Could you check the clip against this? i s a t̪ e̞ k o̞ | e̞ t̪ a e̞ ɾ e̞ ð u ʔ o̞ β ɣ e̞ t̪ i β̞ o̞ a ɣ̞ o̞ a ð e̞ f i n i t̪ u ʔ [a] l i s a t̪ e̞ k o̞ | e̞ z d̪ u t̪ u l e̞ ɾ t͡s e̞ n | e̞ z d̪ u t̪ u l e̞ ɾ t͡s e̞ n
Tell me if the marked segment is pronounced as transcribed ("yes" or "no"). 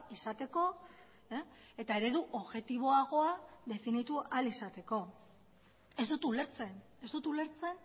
yes